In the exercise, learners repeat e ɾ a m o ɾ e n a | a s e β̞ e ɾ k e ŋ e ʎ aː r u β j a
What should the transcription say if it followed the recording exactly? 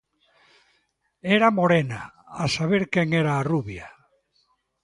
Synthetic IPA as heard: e ɾ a m o ɾ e n a | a s a β̞ e ɾ k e ŋ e ɾ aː r u β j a